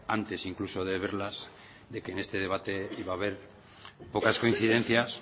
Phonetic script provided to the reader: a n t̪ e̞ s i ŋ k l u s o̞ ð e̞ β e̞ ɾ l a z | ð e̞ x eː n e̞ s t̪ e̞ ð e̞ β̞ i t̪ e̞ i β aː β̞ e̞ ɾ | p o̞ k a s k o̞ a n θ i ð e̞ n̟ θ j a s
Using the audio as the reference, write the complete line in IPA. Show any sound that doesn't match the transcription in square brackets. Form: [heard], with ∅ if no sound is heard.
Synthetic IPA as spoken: a n t̪ e̞ s i ŋ k l u s o̞ ð e̞ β e̞ ɾ l a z | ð e̞ [k] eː n e̞ s t̪ e̞ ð e̞ β̞ [a] t̪ e̞ i β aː β̞ e̞ ɾ | p o̞ k a s k o̞ [i] n θ i ð e̞ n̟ θ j a s